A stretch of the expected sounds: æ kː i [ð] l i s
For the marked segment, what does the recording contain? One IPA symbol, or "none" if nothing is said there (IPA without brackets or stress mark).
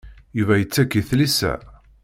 θ